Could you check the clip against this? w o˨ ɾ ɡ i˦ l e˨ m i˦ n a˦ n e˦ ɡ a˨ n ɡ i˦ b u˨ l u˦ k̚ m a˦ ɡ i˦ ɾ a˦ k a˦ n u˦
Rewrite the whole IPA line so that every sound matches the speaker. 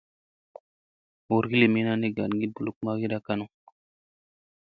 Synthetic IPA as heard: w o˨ ɾ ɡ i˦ l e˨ m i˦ n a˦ n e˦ ɡ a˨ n ɡ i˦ b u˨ l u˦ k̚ m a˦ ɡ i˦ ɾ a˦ k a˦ n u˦